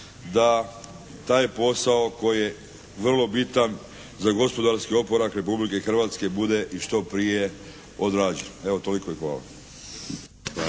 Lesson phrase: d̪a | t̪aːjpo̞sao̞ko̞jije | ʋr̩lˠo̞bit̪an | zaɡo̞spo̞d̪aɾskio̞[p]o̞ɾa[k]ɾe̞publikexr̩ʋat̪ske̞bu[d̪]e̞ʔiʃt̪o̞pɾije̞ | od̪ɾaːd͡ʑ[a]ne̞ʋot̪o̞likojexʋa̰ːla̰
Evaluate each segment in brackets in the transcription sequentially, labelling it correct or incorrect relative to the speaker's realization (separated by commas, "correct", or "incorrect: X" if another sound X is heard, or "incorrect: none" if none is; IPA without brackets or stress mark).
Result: correct, correct, correct, incorrect: e